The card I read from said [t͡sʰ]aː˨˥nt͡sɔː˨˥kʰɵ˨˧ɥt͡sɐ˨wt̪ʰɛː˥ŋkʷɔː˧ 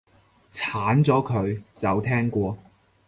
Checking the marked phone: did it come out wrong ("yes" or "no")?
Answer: no